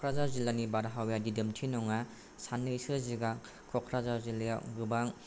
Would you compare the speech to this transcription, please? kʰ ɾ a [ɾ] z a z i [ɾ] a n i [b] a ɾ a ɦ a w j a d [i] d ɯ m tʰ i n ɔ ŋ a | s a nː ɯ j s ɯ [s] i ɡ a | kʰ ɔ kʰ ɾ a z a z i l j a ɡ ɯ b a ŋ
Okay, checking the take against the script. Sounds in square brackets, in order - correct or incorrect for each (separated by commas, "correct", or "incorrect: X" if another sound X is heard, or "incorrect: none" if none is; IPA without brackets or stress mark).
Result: incorrect: none, incorrect: l, correct, correct, incorrect: z